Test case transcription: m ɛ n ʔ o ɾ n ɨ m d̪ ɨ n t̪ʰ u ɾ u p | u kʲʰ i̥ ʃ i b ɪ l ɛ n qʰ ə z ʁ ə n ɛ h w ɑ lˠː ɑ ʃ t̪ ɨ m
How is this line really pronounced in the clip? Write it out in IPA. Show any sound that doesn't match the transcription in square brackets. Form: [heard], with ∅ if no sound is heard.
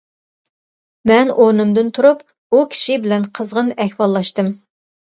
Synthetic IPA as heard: m ɛ n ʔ o ɾ n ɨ m d̪ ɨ n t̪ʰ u ɾ u p | u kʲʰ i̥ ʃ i b ɪ l ɛ n qʰ ə z ʁ ə n ɛ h w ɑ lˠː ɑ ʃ t̪ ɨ m